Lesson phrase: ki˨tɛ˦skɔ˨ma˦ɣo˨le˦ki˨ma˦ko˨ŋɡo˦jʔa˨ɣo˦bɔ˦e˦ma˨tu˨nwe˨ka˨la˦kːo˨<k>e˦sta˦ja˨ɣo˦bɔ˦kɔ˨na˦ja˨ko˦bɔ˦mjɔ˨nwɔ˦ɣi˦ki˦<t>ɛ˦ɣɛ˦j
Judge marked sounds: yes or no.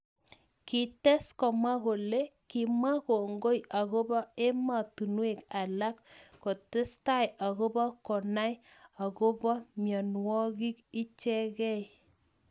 no, no

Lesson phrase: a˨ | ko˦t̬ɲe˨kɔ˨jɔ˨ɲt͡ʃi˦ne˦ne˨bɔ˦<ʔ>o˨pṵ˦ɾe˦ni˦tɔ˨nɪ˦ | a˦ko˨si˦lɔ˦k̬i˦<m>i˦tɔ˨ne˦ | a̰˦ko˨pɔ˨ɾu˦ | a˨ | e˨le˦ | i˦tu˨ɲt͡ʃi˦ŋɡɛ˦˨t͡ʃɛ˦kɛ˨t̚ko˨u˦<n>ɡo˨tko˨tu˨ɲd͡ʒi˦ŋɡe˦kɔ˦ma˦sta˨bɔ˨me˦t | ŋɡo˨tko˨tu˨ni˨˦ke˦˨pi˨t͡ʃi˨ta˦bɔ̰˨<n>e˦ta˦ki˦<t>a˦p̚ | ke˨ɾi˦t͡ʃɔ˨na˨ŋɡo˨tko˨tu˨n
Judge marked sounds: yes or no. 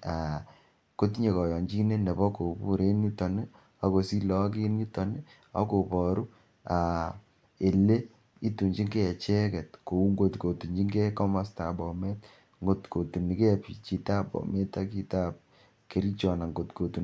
no, no, no, no, yes

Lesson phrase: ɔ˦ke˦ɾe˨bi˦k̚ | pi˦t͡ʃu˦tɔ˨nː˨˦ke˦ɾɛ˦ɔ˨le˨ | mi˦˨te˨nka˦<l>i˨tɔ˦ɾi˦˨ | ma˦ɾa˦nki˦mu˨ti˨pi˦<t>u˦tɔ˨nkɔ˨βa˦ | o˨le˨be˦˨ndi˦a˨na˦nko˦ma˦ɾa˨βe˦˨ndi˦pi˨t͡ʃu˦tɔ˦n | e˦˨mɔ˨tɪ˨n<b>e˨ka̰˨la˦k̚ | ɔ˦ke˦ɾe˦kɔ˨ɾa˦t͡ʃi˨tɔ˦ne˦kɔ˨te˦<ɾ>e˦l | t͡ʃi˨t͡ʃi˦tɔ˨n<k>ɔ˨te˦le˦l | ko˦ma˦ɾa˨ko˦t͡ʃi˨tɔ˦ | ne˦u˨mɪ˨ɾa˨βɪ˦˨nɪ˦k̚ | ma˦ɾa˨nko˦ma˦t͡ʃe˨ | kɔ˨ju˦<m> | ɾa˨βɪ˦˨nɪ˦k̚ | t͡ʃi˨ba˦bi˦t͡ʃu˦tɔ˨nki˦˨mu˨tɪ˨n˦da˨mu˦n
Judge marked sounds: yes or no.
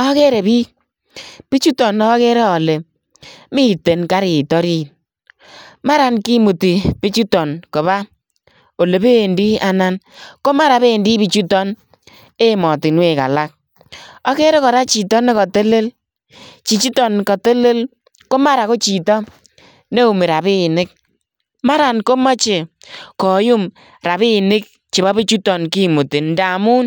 no, no, no, no, yes, yes

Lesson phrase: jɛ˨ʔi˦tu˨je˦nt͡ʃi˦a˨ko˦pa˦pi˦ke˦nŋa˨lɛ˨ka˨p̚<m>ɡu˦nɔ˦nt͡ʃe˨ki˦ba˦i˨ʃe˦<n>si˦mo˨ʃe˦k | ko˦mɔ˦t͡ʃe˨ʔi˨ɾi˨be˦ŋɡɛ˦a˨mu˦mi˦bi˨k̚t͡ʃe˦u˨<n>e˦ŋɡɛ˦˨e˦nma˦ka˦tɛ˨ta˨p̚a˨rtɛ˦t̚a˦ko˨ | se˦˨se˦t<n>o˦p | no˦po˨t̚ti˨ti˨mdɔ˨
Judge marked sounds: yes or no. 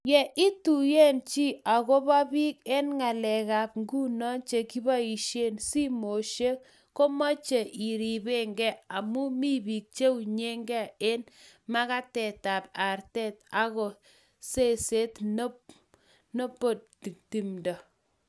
no, yes, no, yes

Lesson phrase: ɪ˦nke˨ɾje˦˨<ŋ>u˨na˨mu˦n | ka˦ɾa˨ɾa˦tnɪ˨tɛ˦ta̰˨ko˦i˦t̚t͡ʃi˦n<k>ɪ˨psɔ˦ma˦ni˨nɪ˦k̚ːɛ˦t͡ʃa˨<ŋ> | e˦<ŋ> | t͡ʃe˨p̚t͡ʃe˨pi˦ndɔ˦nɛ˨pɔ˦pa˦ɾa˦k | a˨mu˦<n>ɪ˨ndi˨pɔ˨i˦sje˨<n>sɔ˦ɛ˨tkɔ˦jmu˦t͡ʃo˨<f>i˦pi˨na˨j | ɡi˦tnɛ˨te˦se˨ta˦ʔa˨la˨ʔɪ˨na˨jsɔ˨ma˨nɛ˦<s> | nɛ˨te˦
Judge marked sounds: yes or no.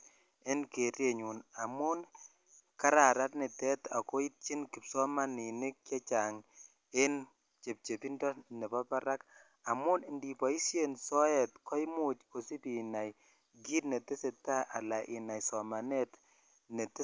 no, yes, yes, no, yes, yes, no, no

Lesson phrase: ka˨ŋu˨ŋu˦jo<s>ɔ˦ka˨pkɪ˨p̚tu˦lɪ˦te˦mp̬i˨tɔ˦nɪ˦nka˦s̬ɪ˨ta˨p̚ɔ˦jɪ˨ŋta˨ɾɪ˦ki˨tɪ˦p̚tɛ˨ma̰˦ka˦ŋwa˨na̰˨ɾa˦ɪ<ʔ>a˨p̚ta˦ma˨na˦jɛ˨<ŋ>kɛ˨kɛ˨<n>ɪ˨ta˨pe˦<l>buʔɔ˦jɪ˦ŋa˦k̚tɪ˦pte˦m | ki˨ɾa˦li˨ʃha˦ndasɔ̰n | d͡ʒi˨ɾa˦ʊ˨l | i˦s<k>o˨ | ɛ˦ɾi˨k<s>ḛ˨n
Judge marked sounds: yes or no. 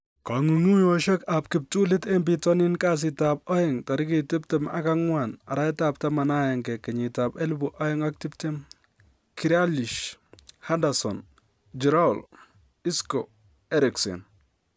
no, no, yes, no, yes, yes, yes

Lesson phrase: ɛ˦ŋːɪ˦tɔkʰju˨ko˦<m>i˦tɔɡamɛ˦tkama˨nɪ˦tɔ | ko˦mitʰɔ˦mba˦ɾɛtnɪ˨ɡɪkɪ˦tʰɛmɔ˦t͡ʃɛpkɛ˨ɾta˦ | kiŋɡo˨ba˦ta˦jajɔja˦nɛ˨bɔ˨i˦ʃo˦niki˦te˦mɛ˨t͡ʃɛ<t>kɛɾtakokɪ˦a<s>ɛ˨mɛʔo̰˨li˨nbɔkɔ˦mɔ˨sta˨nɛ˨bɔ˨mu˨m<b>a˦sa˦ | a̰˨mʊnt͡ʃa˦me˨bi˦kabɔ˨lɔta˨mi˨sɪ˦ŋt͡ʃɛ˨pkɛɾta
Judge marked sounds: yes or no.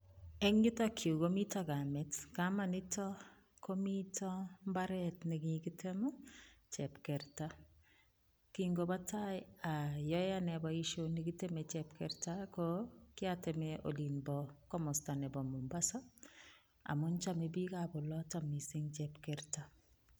yes, no, no, yes

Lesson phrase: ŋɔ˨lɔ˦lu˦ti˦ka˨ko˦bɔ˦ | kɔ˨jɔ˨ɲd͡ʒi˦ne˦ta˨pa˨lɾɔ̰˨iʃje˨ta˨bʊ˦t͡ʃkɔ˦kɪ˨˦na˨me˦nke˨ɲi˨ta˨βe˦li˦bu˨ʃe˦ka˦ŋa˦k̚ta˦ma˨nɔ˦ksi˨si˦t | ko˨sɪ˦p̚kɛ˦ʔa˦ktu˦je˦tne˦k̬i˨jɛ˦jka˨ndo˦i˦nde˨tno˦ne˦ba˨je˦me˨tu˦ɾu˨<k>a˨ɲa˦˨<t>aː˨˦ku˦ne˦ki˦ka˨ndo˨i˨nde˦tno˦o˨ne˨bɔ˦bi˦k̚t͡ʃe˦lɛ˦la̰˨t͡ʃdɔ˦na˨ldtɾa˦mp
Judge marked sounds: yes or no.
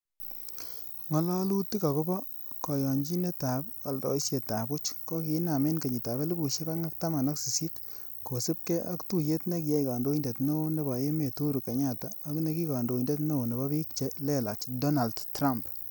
yes, yes

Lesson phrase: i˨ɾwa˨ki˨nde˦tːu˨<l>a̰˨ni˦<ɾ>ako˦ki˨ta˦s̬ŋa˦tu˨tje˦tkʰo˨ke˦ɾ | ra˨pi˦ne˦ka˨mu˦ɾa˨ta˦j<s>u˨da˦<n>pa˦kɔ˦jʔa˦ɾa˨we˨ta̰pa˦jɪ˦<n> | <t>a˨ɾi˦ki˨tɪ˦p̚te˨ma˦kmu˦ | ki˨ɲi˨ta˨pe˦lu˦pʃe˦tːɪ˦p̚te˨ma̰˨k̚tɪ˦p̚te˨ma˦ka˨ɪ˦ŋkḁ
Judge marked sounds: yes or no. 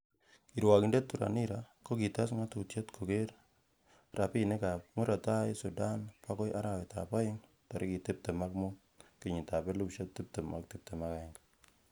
no, yes, yes, yes, no, yes

